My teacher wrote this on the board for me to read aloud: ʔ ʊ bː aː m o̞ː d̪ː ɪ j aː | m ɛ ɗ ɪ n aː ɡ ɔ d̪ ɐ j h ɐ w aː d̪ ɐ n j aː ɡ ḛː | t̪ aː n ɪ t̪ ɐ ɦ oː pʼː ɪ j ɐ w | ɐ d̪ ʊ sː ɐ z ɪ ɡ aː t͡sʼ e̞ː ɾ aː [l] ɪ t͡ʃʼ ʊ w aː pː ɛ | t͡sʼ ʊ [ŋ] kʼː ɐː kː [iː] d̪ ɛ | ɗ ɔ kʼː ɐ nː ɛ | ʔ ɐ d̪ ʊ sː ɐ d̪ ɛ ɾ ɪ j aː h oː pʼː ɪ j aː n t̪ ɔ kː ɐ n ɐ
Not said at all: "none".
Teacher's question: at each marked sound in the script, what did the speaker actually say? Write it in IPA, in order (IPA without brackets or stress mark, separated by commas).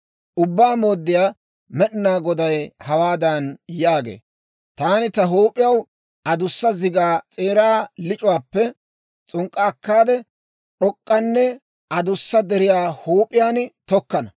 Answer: l, ŋ, aː